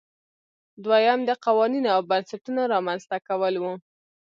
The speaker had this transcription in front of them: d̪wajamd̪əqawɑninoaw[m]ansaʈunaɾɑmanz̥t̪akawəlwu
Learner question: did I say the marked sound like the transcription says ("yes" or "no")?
no